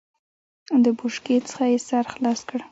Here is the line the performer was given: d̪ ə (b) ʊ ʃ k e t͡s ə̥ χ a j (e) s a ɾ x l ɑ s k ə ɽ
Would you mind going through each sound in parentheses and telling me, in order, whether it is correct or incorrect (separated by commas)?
correct, correct